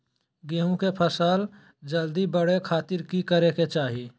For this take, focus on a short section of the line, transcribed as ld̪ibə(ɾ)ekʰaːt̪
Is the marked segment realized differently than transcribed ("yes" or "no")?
yes